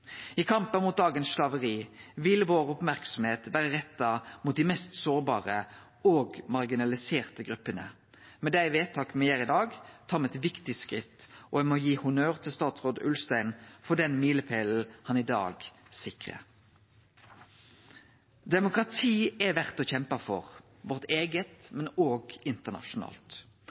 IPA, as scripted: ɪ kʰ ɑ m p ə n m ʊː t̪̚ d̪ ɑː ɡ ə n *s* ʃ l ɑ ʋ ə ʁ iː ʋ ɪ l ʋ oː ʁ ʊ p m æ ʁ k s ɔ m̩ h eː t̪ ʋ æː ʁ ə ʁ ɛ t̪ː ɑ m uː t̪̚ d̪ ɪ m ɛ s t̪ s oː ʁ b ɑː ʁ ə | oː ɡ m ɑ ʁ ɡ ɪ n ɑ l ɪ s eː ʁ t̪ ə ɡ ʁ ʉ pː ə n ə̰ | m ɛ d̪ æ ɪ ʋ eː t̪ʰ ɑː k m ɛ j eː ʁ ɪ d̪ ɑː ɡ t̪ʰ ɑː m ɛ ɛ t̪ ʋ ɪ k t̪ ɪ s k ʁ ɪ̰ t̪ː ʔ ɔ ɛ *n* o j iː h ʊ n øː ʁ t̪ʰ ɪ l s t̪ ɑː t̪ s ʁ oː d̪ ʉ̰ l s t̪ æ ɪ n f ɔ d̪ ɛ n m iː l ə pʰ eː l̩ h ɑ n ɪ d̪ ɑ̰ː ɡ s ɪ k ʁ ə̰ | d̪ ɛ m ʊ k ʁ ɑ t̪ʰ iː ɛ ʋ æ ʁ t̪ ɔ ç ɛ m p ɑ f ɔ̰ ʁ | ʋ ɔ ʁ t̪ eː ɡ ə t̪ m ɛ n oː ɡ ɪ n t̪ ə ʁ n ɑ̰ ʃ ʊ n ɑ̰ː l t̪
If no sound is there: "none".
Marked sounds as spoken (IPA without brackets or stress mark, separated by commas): s, m